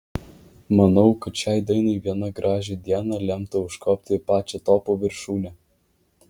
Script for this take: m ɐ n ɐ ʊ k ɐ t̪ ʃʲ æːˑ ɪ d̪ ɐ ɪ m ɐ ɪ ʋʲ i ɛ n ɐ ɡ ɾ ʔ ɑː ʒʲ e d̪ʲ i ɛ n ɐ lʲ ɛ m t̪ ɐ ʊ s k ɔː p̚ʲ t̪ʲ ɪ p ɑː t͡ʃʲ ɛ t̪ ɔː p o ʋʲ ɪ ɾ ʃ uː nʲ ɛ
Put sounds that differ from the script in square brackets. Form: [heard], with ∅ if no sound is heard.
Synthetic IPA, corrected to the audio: m ɐ n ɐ ʊ k ɐ t̪ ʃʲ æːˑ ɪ d̪ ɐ ɪ [n] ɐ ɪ ʋʲ i ɛ n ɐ ɡ ɾ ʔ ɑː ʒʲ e d̪ʲ i ɛ n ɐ lʲ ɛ m t̪ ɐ ʊ [ʃ] k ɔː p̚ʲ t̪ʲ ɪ p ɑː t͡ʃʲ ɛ t̪ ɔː p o ʋʲ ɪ ɾ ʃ uː nʲ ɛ